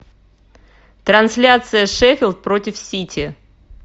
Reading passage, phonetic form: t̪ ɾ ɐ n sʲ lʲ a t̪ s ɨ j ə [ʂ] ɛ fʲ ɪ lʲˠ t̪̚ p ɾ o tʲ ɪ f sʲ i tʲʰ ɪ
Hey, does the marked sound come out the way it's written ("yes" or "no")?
yes